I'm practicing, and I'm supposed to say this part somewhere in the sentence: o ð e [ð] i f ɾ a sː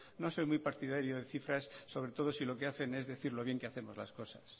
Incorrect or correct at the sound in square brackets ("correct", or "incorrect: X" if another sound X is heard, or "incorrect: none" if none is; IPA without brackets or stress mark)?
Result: incorrect: θ